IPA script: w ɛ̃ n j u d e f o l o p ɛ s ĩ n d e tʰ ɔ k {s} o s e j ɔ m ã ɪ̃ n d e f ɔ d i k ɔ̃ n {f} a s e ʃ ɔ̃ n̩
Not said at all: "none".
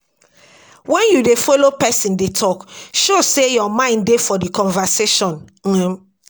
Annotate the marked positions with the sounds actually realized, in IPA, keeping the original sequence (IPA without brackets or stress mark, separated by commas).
ʃ, v